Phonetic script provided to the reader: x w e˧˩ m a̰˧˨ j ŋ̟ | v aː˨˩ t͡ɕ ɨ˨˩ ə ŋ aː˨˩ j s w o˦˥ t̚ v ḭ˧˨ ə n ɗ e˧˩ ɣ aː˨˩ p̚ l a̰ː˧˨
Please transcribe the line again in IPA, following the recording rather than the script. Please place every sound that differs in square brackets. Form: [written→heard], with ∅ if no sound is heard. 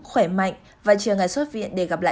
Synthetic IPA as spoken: x w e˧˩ m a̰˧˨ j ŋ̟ | v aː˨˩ t͡ɕ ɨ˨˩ ə ŋ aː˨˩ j s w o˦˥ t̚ v ḭ˧˨ ə n ɗ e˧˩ ɣ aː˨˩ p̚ l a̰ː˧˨